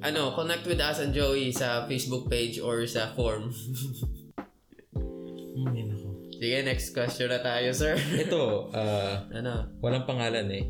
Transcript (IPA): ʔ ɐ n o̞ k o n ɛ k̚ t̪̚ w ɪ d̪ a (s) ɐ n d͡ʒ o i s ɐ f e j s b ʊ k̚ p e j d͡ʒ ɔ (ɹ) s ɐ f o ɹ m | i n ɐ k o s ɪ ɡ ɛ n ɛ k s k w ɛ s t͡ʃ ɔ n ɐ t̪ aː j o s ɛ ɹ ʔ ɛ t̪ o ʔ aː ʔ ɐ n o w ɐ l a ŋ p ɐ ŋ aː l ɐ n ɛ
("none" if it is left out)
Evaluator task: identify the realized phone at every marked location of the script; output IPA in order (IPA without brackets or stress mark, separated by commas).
s, ɹ